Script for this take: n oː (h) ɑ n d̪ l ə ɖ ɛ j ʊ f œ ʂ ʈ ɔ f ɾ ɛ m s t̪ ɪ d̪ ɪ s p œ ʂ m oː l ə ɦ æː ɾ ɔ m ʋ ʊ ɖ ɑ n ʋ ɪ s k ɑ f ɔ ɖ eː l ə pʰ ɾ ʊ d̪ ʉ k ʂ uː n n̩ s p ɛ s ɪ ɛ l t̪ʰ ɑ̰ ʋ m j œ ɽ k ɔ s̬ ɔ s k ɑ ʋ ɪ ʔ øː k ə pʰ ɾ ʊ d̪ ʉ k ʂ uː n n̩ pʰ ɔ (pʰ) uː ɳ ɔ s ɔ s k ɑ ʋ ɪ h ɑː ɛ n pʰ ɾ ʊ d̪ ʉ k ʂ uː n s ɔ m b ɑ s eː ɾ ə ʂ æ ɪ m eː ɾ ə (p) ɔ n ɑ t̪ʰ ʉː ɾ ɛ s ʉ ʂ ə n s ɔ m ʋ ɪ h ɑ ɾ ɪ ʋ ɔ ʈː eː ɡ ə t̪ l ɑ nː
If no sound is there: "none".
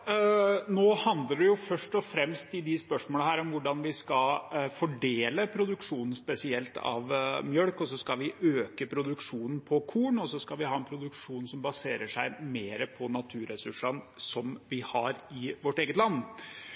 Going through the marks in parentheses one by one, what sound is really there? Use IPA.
h, kʰ, pʰ

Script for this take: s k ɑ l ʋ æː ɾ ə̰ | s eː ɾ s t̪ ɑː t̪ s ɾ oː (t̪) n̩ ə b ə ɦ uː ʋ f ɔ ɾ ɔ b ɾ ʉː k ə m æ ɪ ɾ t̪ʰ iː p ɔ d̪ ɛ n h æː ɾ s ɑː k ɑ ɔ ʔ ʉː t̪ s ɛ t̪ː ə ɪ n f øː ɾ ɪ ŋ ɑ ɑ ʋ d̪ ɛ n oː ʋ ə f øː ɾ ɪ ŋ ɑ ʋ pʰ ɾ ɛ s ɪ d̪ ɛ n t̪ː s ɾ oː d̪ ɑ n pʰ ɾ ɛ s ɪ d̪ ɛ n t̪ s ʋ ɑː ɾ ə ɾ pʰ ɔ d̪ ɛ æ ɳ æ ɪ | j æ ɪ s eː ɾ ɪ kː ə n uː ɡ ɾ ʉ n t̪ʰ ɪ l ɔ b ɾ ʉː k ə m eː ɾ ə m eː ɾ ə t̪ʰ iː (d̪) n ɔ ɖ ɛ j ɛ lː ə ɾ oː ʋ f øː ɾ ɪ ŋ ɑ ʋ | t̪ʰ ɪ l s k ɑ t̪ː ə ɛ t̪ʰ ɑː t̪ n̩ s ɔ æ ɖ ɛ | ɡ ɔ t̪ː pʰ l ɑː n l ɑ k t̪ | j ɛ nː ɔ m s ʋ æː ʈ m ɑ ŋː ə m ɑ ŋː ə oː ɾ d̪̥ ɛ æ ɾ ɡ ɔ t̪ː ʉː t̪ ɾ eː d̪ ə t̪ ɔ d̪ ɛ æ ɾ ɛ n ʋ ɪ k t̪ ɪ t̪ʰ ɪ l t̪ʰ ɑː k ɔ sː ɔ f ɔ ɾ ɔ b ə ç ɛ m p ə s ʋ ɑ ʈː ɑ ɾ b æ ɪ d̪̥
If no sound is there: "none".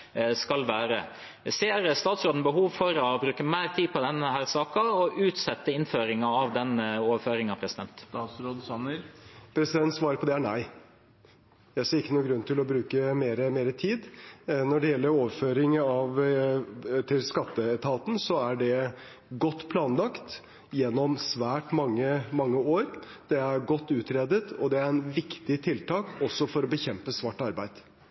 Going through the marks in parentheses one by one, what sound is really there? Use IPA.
d̪, d̪

